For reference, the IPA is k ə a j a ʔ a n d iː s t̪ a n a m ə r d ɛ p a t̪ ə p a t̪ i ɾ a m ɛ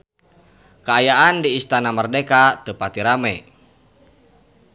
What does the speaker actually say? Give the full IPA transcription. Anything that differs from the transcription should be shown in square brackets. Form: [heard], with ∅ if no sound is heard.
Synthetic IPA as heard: k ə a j a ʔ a n d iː s t̪ a n a m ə r d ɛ [k] a t̪ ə p a t̪ i ɾ a m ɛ